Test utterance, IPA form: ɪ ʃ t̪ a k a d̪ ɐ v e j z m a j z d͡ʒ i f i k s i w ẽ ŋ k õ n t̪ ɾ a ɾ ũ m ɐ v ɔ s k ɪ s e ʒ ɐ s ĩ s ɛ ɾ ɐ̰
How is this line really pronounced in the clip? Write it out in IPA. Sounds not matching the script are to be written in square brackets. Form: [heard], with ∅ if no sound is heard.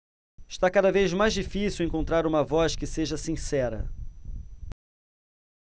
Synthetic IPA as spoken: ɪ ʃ t̪ a k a d̪ ɐ v e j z m a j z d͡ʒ i f i [∅] s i w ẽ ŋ k õ n t̪ ɾ a ɾ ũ m ɐ v ɔ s k ɪ s e ʒ ɐ s ĩ s ɛ ɾ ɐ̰